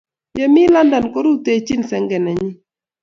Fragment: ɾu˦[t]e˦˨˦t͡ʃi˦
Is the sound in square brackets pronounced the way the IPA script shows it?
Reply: yes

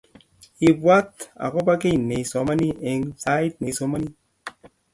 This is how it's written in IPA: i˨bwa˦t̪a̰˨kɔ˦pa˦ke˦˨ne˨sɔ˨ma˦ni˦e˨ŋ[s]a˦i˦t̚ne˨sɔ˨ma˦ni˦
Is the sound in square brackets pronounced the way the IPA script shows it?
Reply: yes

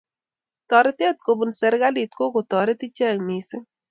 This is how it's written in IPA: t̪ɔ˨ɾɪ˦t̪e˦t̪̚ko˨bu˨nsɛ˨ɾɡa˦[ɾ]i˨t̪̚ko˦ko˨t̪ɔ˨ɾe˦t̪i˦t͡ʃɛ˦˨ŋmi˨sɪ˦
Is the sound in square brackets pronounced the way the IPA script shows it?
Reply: no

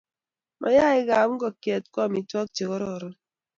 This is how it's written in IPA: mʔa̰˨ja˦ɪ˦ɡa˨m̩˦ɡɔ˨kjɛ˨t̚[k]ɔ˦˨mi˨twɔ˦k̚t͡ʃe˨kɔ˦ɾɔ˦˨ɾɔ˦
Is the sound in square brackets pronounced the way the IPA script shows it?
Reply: yes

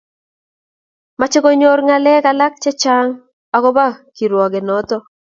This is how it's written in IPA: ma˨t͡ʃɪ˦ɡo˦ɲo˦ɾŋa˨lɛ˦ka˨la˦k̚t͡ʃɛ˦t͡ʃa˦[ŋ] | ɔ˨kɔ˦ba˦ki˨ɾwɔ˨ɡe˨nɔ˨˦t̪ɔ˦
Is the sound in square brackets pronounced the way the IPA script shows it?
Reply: yes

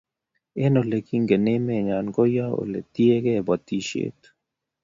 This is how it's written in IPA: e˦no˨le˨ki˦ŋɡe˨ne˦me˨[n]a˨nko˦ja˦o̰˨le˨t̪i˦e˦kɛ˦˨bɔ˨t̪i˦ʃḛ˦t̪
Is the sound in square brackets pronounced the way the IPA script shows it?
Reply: no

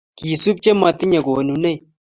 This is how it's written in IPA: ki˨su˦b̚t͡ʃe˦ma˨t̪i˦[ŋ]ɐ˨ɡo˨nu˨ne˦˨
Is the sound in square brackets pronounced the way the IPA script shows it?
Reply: no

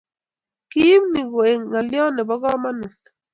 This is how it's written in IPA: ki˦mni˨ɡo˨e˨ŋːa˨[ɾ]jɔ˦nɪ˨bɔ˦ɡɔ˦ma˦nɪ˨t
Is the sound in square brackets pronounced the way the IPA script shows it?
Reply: no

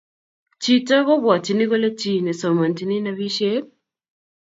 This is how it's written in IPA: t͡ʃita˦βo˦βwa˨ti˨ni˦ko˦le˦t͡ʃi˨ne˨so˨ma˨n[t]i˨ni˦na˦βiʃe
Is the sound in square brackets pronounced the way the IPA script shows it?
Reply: yes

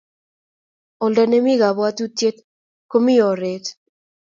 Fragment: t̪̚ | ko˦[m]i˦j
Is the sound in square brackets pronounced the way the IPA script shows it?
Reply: yes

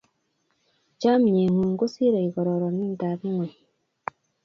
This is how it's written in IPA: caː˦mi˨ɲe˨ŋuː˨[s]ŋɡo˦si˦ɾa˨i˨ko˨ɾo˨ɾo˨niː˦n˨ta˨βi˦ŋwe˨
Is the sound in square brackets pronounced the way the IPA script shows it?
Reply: no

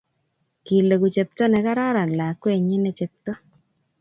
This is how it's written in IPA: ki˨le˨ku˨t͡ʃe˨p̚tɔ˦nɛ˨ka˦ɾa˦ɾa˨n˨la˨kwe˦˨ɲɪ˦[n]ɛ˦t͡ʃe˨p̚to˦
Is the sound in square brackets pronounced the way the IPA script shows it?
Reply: yes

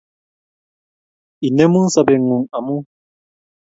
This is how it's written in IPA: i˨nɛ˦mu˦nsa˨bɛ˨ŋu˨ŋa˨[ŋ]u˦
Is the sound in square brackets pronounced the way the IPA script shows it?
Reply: no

